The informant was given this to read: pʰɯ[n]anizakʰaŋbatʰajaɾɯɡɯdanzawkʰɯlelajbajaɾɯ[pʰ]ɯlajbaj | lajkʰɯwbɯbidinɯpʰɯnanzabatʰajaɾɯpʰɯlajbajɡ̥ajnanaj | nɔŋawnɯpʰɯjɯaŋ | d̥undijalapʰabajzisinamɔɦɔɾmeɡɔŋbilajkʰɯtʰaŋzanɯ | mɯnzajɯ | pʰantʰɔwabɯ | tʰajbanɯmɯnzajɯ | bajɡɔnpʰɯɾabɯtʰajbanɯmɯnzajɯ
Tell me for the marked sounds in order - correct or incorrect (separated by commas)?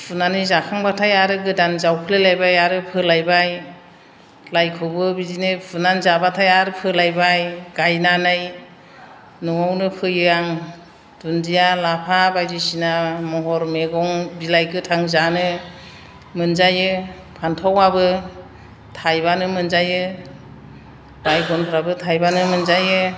correct, correct